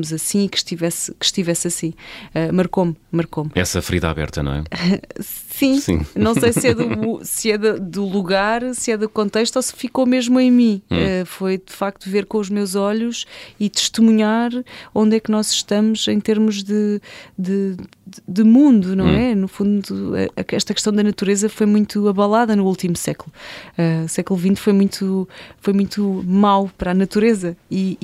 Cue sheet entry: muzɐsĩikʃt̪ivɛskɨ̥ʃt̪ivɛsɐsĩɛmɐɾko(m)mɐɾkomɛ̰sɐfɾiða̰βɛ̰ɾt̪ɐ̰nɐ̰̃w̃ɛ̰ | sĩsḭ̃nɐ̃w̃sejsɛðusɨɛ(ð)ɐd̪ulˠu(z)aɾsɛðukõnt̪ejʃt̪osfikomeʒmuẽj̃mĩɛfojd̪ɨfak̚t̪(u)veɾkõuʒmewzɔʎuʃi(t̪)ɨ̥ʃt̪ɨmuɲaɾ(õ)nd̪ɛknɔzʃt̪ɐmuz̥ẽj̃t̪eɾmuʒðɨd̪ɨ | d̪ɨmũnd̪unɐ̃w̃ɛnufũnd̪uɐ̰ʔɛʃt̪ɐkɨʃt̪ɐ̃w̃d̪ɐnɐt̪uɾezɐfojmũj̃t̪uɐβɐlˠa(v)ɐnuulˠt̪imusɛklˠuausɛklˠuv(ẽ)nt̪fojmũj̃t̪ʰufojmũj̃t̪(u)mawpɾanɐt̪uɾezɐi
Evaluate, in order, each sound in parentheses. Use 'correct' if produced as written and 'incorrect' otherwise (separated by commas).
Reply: correct, correct, incorrect, correct, correct, correct, incorrect, incorrect, correct